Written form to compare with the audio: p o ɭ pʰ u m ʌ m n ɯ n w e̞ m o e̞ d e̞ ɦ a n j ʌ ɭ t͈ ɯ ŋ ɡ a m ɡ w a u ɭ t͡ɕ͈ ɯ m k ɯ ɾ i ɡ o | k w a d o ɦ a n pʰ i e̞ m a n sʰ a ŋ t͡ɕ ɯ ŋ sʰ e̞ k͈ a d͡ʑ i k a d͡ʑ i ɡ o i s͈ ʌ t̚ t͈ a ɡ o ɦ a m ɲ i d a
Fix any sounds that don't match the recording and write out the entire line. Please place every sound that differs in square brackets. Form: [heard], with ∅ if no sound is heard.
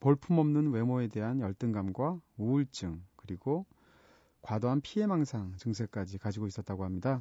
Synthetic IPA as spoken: p o ɭ pʰ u m ʌ m n ɯ n w e̞ m o e̞ d e̞ ɦ a n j ʌ ɭ t͈ ɯ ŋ ɡ a m ɡ w a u ɭ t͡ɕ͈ ɯ [ŋ] k ɯ ɾ i ɡ o | k w a d o ɦ a n pʰ i e̞ m a [ŋ] sʰ a ŋ t͡ɕ ɯ ŋ sʰ e̞ k͈ a d͡ʑ i k a d͡ʑ i ɡ o i s͈ ʌ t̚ t͈ a ɡ o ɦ a m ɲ i d a